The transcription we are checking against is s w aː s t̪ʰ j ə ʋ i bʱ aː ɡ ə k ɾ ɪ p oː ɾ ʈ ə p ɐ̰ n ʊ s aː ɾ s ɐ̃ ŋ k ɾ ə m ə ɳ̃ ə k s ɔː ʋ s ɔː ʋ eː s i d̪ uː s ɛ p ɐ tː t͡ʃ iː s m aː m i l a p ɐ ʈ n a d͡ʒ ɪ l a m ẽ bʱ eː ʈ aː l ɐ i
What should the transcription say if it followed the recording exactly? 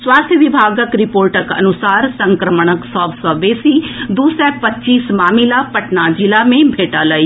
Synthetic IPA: s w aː s t̪ʰ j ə ʋ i bʱ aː ɡ ə k ɾ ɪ p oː ɾ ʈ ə k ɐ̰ n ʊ s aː ɾ s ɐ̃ ŋ k ɾ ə m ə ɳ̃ ə k s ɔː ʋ s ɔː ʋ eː s i d̪ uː s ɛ p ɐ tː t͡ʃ iː s m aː m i l a p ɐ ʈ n a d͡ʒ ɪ l a m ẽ bʱ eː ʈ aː l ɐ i